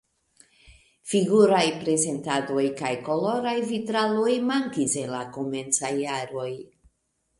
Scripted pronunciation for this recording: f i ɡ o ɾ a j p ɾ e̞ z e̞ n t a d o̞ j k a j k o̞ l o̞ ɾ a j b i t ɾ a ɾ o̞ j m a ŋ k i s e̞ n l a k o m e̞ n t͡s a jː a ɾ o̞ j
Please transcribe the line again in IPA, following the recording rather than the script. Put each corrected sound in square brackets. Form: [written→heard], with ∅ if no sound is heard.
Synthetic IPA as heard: f i ɡ [o→u] ɾ a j p ɾ e̞ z e̞ n t a d o̞ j k a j k o̞ l o̞ ɾ a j [b→v] i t ɾ a [ɾ→l] o̞ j m a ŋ k i s e̞ n l a k o m e̞ n t͡s a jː a ɾ o̞ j